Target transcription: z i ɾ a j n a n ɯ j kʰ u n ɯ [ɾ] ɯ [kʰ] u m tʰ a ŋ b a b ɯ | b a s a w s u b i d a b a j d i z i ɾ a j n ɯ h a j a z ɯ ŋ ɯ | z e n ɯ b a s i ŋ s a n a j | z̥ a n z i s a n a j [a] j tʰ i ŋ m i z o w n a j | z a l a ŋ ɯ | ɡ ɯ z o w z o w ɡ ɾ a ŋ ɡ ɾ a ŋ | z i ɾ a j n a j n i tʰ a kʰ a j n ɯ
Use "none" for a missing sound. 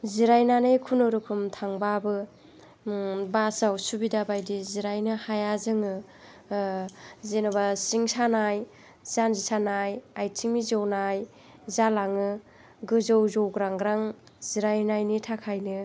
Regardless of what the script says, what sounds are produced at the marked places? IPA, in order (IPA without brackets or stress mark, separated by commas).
ɾ, kʰ, a